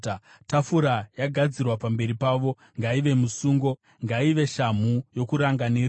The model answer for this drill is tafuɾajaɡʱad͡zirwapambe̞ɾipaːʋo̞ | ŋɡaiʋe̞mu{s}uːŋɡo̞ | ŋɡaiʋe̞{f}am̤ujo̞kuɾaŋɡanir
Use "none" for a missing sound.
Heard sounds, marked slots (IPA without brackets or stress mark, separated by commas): s, ʃ